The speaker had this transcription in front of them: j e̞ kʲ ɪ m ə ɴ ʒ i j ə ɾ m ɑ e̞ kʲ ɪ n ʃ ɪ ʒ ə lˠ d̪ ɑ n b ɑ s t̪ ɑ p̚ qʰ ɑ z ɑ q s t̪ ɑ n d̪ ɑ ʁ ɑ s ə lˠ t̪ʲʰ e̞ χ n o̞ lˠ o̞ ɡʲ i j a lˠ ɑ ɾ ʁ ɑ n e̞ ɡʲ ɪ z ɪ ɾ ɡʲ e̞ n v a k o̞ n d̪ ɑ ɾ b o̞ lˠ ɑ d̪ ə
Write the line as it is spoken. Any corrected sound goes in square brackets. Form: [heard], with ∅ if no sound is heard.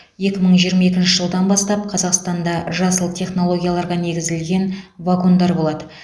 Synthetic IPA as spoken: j e̞ kʲ ɪ m ə ɴ ʒ i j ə ɾ m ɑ e̞ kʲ ɪ n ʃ ɪ ʒ ə lˠ d̪ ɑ n b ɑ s t̪ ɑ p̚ qʰ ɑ z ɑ q s t̪ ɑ n d̪ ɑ [ʒ] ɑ s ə lˠ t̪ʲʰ e̞ χ n o̞ lˠ o̞ ɡʲ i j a lˠ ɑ ɾ ʁ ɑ n e̞ ɡʲ ɪ z ɪ [l] ɡʲ e̞ n v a k o̞ n d̪ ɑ ɾ b o̞ lˠ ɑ d̪ ə